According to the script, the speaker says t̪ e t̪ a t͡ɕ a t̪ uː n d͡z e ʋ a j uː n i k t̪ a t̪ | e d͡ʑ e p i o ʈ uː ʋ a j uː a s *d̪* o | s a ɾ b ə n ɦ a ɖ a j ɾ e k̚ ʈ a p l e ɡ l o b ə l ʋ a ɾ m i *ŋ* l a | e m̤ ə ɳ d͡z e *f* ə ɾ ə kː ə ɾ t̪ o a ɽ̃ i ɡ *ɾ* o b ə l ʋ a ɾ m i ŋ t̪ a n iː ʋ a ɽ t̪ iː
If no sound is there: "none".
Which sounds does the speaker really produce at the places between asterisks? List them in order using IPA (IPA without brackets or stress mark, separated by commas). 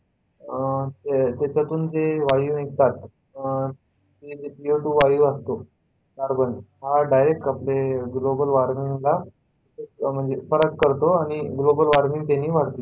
t̪, ŋ, f, l